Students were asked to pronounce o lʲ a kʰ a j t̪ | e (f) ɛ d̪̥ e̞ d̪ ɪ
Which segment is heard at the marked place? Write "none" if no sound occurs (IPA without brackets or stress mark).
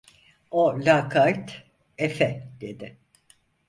f